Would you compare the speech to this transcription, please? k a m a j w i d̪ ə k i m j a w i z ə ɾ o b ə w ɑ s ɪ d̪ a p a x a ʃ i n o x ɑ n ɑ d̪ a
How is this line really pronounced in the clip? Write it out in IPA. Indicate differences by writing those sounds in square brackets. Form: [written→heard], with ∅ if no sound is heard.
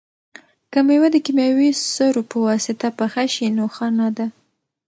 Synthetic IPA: k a m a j w [i→a] d̪ ə k i m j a w i [z→s] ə ɾ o [b→p] ə w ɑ s ɪ [d̪→t̪] a p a x a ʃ i n o x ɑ n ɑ d̪ a